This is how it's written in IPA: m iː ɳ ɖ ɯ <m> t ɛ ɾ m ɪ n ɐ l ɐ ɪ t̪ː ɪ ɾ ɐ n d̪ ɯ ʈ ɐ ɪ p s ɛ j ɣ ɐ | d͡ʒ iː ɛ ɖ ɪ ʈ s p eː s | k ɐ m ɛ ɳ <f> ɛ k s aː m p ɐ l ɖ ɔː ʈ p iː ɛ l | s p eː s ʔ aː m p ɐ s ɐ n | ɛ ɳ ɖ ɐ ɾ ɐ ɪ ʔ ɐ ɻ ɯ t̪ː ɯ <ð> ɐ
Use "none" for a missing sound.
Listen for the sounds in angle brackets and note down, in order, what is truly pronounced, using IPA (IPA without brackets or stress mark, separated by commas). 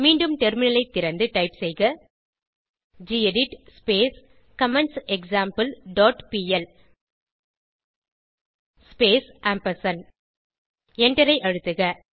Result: m, s, ɣ